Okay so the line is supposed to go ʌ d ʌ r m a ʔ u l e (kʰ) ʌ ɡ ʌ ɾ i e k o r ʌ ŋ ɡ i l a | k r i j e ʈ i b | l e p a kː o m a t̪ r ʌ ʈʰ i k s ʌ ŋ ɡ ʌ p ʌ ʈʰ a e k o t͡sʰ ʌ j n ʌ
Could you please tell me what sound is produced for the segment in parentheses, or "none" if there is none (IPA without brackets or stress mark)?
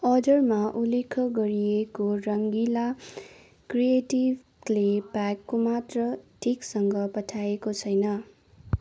kʰ